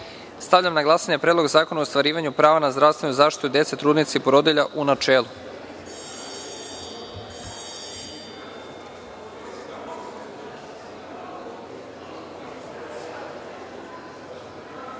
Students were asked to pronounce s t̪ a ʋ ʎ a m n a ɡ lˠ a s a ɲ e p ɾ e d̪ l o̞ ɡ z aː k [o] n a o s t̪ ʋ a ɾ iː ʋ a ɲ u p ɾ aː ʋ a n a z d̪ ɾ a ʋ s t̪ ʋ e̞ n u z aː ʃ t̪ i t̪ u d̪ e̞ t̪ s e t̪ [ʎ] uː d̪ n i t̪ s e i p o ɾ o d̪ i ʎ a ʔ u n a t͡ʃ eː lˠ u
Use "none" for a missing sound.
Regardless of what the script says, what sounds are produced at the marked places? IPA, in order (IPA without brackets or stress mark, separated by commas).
o, ɾ